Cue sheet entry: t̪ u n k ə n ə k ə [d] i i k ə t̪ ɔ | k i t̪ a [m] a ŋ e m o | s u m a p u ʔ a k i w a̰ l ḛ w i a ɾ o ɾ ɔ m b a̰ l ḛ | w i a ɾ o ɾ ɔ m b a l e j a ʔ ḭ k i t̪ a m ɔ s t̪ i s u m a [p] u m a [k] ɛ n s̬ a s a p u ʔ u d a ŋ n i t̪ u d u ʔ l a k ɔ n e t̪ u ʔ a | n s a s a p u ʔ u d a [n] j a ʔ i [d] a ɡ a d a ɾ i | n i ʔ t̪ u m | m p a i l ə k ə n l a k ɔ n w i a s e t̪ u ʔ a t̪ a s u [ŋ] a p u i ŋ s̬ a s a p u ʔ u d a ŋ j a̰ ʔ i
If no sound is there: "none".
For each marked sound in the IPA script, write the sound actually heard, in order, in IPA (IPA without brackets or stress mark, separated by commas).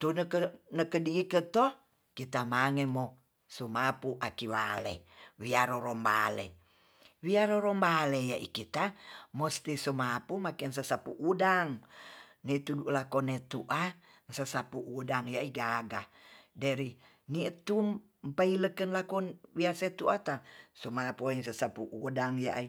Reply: d, m, p, k, ŋ, ɡ, m